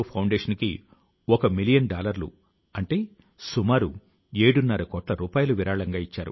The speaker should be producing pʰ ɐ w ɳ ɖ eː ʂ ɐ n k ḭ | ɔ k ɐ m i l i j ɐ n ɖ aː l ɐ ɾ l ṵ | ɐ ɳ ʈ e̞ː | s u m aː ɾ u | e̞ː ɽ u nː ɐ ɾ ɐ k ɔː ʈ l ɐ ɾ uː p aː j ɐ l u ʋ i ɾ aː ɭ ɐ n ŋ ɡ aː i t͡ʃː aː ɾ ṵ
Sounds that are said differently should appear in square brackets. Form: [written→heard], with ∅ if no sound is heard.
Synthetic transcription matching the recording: pʰ ɐ w ɳ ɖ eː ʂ ɐ n k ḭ | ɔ k ɐ m i l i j ɐ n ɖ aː l ɐ ɾ l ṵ | ɐ ɳ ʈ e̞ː | s u m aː ɾ u | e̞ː ɽ u nː ɐ ɾ ɐ k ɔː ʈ l ɐ ɾ uː p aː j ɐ l u ʋ i ɾ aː ɭ ɐ [n→∅] ŋ ɡ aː i t͡ʃː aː ɾ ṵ